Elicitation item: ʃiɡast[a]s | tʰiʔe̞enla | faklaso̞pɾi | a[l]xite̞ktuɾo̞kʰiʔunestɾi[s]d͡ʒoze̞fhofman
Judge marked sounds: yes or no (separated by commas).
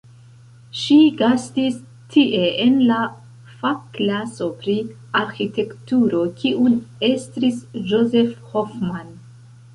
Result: no, no, yes